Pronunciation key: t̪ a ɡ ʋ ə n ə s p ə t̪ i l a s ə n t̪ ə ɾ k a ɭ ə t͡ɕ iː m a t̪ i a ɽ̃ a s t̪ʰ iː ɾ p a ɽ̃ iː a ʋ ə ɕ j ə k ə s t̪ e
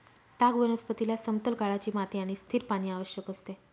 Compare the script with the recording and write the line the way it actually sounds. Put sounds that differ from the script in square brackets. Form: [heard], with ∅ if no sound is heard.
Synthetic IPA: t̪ a ɡ ʋ ə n ə s p ə t̪ i l a s ə [m] t̪ ə [l] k a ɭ [a] t͡ɕ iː m a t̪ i a ɽ̃ [i] s t̪ʰ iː ɾ p a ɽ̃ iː a ʋ ə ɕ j ə k ə s t̪ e